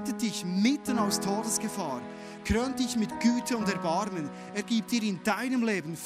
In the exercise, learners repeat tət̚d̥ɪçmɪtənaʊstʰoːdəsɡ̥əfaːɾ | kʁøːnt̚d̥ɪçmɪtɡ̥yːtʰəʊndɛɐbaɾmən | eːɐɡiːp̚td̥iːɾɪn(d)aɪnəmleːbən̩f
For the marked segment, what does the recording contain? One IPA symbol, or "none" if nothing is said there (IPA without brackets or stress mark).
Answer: d